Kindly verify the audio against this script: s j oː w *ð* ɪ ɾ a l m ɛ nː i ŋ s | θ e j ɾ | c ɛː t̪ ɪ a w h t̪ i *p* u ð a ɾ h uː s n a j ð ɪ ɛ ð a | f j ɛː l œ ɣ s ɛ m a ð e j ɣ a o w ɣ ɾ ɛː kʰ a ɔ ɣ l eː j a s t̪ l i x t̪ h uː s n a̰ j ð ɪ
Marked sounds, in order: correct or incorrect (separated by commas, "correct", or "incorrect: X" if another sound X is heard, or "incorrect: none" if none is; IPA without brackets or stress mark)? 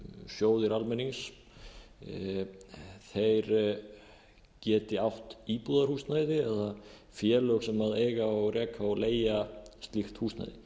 correct, correct